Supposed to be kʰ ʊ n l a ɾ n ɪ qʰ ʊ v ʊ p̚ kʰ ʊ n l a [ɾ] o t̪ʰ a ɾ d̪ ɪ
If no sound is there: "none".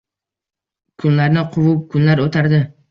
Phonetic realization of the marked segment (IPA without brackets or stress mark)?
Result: ɾ